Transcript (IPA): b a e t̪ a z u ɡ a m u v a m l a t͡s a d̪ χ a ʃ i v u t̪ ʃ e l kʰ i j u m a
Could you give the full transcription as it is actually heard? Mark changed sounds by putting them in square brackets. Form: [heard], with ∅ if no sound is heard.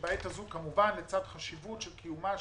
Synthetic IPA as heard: b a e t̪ a z u [k] a m u v a [n] l [e] t͡s a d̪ χ a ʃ i v u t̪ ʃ e l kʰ i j u m a